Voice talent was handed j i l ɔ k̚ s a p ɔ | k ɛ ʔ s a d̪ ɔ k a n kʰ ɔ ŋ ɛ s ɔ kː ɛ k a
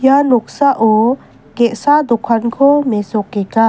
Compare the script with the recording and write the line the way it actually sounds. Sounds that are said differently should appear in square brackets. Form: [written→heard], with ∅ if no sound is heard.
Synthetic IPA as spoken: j [i→a] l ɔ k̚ s a [p→ʔ] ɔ | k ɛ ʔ s a d̪ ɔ [k→kʰ] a n kʰ ɔ [ŋ→m] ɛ s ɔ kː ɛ k a